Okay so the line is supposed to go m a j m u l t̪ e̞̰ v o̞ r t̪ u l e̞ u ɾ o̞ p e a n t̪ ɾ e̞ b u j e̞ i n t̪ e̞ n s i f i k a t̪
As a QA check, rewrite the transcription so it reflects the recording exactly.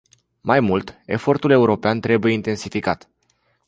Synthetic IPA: m a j m u l t̪ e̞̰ f o̞ r t̪ u l e̞ u ɾ o̞ p e a n t̪ ɾ e̞ b u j e̞ i n t̪ e̞ n s i f i k a t̪